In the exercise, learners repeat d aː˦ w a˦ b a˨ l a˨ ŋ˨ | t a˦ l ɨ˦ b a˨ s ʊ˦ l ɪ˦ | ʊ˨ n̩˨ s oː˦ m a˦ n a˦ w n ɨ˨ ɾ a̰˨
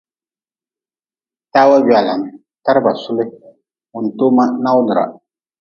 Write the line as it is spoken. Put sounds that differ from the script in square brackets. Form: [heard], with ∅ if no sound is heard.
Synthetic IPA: [t] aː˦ w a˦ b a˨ l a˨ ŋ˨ | t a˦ [ɾ] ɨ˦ b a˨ s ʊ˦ l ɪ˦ | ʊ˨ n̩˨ [t] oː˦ m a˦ n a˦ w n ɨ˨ ɾ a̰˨